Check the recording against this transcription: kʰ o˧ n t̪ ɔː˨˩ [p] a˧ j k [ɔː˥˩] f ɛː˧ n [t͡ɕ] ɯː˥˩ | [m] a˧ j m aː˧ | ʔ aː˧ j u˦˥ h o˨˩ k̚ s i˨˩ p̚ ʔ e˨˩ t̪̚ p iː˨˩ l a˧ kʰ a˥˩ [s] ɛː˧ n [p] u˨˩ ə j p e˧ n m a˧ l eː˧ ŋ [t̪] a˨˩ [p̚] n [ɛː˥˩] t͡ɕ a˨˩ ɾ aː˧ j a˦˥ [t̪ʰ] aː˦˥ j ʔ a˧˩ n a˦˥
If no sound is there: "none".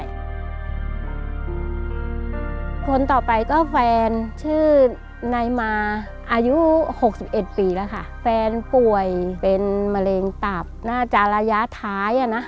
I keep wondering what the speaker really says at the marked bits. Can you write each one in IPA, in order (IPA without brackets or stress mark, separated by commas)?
p, ɔː˥˩, t͡ɕʰ, n, f, p, t̪, p̚, aː˥˩, t̪ʰ